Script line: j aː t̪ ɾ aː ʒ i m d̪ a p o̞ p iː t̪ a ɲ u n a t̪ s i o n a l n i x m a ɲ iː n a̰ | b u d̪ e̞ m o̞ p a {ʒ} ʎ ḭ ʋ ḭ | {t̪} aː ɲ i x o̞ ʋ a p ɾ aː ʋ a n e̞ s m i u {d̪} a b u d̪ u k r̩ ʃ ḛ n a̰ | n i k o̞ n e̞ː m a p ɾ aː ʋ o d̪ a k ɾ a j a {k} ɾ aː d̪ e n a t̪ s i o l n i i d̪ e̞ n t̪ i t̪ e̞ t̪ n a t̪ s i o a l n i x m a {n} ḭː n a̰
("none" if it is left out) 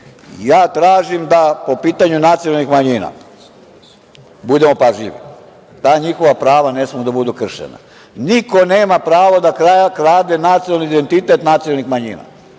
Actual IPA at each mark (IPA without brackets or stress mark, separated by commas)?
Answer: ʒ, t̪, d̪, k, ɲ